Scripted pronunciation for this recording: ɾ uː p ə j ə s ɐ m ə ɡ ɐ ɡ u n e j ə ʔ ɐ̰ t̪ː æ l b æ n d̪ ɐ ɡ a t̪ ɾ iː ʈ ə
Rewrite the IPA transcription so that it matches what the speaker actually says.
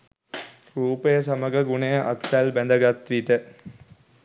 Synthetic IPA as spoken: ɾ uː p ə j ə s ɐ m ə ɡ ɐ ɡ u n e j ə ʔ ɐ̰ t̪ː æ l b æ n d̪ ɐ ɡ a t̪ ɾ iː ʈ ə

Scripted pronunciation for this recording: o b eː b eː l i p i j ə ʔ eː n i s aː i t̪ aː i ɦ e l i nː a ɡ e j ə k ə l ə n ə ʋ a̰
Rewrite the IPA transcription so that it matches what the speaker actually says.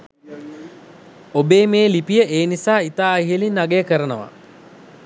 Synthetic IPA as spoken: o b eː m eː l i p i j ə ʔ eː n i s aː i t̪ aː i ɦ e l i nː a ɡ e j ə k ə ɾ ə n ə ʋ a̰

